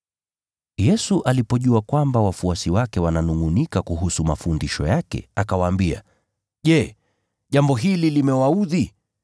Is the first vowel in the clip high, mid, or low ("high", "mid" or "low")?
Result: mid